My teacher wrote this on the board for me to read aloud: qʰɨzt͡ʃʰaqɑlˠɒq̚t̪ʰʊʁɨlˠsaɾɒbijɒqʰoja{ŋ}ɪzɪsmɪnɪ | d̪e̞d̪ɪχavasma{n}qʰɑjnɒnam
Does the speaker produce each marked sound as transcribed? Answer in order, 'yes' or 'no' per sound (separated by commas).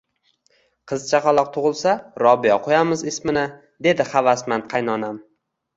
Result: no, yes